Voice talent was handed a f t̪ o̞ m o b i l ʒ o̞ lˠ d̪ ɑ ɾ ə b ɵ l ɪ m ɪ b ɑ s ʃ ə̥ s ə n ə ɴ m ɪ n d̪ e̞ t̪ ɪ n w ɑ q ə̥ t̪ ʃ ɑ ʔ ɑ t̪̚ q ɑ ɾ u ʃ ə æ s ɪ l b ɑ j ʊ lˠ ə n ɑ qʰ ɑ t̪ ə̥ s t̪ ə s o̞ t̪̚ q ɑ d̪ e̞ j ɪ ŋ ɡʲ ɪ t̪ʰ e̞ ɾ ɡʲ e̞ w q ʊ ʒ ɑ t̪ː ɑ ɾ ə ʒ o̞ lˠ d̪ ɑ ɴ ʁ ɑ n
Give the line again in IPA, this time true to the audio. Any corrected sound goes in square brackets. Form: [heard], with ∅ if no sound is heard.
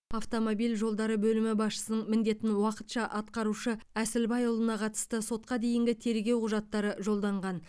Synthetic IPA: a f t̪ o̞ m o b i l ʒ o̞ lˠ d̪ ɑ ɾ ə b ɵ l ɪ m ɪ b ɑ s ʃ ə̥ s ə n ə ɴ m ɪ n d̪ e̞ t̪ ɪ n w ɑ q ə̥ t̪ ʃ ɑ ʔ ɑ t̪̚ q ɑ ɾ u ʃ ə æ s ɪ l b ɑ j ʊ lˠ ə n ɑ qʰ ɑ t̪ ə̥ s t̪ ə s o̞ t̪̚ q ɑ d̪ e̞ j ɪ ŋ ɡʲ ɪ t̪ʰ e̞ ɾ ɡʲ e̞ w q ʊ ʒ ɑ t̪ː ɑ ɾ ə ʒ o̞ lˠ d̪ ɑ ɴ ʁ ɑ n